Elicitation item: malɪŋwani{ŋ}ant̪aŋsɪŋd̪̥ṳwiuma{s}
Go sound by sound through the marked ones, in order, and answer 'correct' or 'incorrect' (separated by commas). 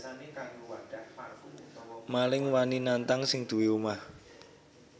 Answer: incorrect, incorrect